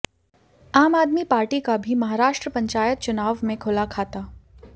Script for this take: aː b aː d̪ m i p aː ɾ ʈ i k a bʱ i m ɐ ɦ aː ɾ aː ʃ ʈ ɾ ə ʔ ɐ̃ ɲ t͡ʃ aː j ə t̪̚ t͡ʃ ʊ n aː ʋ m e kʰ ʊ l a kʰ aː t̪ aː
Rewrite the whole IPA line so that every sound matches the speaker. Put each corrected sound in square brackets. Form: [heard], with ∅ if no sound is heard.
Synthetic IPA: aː [m] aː d̪ m i p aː ɾ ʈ i k a bʱ i m ɐ ɦ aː ɾ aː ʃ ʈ ɾ ə [p] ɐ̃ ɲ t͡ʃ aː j ə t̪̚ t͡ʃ ʊ n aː ʋ m [ẽ] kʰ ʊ l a kʰ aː t̪ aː